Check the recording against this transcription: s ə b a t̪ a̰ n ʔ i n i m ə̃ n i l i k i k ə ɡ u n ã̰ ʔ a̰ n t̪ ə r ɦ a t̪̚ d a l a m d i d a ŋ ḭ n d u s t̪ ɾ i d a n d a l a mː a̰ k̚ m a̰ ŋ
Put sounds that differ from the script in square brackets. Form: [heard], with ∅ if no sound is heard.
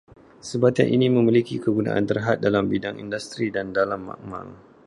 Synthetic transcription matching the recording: s ə b a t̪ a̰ n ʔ i n i m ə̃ [m] i l i k i k ə ɡ u n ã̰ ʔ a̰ n t̪ ə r ɦ a t̪̚ d a l a m [b] i d a ŋ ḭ n d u s t̪ ɾ i d a n d a l a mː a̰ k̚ m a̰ ŋ